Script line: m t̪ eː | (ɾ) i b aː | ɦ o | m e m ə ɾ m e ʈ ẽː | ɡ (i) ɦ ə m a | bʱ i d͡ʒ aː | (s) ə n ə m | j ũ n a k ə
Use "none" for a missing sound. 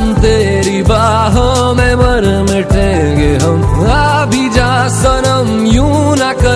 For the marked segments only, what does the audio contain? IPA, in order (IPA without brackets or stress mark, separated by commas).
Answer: ɾ, e, s